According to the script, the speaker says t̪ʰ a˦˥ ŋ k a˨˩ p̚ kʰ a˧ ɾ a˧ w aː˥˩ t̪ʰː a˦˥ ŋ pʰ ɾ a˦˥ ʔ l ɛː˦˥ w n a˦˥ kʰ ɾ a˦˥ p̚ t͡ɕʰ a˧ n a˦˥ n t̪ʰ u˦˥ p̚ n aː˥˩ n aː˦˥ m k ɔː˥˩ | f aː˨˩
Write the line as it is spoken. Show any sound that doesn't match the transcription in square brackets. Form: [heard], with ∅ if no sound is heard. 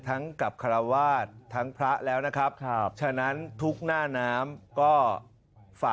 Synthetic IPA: t̪ʰ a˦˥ ŋ k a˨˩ p̚ kʰ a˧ ɾ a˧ w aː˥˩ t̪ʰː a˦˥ ŋ pʰ ɾ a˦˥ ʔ l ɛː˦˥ w n a˦˥ kʰ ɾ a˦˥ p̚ t͡ɕʰ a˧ n a˦˥ n t̪ʰ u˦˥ [k̚] n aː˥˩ n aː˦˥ m k ɔː˥˩ | f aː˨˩